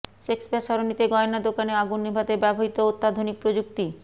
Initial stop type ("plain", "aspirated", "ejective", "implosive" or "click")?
plain